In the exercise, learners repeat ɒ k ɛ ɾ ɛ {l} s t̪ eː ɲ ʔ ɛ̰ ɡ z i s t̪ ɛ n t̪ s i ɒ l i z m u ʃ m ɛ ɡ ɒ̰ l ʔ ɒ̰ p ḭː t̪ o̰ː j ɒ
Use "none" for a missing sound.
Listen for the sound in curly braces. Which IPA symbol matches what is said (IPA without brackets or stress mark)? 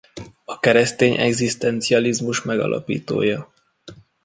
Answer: none